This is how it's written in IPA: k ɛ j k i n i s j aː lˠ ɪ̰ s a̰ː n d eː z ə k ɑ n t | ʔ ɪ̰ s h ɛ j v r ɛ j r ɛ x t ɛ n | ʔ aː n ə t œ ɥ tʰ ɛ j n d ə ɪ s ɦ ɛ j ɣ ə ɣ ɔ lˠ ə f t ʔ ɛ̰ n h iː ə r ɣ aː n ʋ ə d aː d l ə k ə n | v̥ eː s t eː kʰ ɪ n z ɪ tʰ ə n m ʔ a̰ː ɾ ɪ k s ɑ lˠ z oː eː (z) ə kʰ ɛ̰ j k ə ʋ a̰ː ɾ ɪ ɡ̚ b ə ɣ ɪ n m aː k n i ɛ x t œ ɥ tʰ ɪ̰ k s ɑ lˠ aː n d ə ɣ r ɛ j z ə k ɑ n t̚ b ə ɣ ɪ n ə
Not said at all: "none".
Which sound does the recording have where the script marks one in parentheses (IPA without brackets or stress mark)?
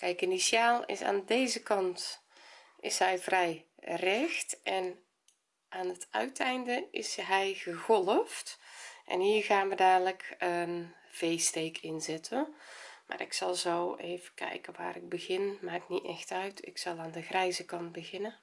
v